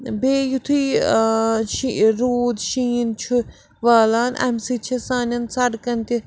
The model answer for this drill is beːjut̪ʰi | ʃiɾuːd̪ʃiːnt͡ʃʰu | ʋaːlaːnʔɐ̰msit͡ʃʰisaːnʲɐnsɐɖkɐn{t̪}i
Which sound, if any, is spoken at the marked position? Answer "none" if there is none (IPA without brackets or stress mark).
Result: t̪